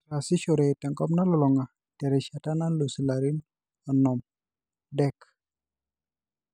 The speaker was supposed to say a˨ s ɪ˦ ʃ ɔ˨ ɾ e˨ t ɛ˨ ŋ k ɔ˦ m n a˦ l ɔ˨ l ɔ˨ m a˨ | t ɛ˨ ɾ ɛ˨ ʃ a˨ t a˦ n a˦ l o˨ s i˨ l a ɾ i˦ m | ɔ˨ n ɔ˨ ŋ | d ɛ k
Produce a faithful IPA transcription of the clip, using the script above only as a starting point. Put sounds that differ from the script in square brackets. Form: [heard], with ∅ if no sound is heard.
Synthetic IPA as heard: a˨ s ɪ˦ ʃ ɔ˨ ɾ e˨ t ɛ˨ ŋ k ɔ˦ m n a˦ l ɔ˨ l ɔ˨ [ŋ] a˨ | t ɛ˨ ɾ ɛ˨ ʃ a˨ t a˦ n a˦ l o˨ s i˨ l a ɾ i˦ [n] | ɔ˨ n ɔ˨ [m] | d ɛ k